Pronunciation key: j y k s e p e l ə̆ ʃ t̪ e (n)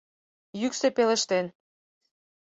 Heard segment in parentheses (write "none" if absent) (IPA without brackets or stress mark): n